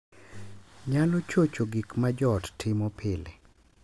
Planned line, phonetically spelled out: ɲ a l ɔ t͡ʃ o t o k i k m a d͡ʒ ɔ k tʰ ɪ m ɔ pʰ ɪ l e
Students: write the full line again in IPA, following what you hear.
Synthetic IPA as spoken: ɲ a l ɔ t͡ʃ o t͡ʃ o ɡ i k m a d͡ʒ ɔ t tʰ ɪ m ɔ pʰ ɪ l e